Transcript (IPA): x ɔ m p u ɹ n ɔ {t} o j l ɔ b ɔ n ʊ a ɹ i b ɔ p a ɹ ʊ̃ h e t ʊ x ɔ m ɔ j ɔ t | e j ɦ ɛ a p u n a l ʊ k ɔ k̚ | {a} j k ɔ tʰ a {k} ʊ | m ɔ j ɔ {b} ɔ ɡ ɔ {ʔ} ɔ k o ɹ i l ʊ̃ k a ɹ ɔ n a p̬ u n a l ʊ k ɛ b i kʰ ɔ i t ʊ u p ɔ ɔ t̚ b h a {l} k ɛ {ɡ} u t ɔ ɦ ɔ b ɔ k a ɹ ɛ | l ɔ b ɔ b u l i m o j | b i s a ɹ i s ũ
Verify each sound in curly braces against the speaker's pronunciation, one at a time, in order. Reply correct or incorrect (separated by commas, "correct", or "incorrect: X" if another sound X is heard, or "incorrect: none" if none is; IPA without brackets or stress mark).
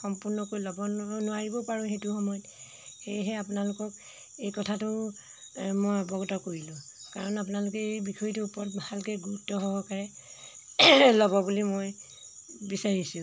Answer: incorrect: k, incorrect: e, incorrect: t, correct, incorrect: t, correct, correct